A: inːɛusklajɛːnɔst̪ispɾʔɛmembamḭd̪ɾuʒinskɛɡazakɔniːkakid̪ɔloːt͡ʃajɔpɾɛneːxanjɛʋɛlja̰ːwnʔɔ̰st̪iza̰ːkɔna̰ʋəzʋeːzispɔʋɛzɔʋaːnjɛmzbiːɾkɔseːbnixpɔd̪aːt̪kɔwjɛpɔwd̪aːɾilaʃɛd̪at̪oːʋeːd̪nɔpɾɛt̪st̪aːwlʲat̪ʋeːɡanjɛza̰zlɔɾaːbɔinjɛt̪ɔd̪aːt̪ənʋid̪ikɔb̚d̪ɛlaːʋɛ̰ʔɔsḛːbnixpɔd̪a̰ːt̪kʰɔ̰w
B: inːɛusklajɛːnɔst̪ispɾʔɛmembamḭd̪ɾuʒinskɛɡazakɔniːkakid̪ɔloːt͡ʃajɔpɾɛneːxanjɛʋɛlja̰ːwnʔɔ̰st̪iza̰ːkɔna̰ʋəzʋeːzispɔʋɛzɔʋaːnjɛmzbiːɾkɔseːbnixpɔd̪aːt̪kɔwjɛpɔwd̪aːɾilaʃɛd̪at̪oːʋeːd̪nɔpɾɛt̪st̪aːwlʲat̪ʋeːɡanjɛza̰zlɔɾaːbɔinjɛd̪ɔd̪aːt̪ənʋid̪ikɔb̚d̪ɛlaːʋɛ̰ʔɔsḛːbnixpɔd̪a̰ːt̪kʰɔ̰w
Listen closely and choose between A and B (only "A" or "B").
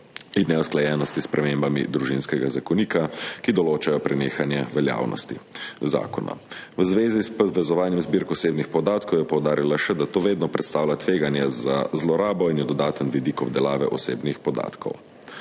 B